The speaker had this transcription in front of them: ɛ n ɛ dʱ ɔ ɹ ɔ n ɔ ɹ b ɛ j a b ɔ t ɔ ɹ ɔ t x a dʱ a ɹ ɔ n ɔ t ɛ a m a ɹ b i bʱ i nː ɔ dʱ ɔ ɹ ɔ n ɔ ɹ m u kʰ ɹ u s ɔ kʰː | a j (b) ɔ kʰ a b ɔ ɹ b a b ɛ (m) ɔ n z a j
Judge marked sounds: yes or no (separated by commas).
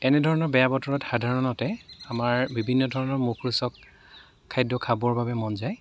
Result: no, yes